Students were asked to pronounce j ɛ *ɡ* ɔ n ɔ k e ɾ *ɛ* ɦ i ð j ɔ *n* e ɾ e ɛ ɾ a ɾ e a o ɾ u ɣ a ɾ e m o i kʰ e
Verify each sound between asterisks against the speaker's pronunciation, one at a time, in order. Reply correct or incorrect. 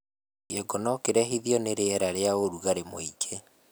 correct, correct, correct

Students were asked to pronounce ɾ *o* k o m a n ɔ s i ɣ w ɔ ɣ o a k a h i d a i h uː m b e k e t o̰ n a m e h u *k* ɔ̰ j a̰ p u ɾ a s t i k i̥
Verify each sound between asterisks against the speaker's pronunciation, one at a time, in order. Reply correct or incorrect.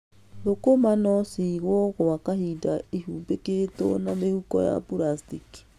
correct, correct

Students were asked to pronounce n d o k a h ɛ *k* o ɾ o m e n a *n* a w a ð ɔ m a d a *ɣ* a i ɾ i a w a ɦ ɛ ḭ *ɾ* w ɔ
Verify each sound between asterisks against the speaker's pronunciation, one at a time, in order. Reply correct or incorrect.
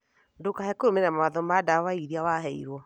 correct, incorrect: m, incorrect: w, correct

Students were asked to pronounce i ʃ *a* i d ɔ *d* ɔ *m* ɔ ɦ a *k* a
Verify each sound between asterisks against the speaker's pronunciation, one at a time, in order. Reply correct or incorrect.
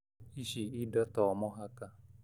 incorrect: i, incorrect: t, correct, correct

